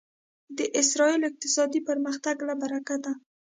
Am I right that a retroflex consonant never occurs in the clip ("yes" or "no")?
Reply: yes